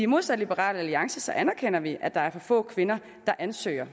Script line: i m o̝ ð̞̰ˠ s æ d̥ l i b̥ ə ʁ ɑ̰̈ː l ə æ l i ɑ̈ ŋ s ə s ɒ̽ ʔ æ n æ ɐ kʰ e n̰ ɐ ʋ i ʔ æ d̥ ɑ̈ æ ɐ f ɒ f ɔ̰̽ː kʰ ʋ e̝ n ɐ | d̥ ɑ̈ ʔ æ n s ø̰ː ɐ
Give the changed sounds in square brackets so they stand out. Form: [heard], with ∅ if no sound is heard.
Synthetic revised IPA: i m o̝ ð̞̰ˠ s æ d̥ l i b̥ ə ʁ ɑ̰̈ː l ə æ l i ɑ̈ ŋ s ə s ɒ̽ ʔ æ n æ ɐ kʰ e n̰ ɐ ʋ i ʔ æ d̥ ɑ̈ æ ɐ f ɒ f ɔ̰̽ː kʰ ʋ e̝ n ɐ | d̥ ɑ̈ ʔ æ n s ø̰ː ɐ